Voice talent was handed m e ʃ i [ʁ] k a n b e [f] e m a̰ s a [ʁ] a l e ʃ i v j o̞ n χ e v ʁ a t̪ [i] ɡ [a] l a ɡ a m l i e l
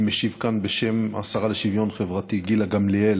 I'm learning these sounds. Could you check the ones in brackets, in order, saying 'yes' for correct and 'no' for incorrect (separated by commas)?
no, no, yes, yes, no